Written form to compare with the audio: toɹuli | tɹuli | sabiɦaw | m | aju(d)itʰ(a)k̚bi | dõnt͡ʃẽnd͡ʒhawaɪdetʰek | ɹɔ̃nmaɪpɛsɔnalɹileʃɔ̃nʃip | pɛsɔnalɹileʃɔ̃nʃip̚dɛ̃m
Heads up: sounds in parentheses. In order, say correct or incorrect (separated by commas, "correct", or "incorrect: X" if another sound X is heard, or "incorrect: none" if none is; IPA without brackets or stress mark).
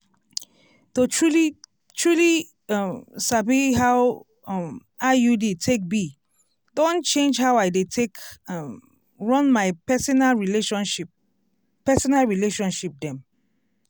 correct, incorrect: e